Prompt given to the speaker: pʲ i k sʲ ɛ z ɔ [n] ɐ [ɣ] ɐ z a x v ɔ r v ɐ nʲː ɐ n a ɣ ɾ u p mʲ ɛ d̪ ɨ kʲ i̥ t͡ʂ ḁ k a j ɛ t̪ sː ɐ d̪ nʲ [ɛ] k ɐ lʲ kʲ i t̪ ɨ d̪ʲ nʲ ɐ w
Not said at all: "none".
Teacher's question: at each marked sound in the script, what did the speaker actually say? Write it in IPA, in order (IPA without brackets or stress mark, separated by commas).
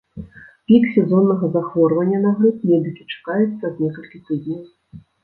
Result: nː, ɣ, ɛ